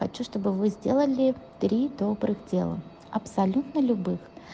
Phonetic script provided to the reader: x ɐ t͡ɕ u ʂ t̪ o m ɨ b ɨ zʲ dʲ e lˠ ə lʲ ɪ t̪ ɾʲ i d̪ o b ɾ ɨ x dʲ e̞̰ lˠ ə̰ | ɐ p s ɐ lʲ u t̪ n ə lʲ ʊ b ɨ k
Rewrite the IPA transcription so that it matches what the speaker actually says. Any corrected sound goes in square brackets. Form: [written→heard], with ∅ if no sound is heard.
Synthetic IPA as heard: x ɐ t͡ɕ u ʂ t̪ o [m→b] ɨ [b→v] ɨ zʲ dʲ e lˠ ə lʲ ɪ t̪ ɾʲ i d̪ o b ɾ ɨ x dʲ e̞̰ lˠ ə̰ | ɐ p s ɐ lʲ u t̪ n ə lʲ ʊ b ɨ [k→x]